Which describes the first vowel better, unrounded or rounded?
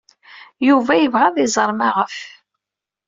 rounded